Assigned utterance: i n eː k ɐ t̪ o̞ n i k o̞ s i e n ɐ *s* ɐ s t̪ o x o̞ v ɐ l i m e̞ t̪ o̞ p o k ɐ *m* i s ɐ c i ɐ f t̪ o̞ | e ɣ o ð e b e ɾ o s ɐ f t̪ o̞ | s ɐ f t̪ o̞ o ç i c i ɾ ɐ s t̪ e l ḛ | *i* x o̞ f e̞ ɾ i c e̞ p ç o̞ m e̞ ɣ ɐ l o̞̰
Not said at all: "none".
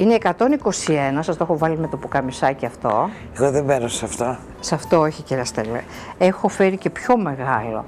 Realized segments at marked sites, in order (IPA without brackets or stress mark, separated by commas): s, m, e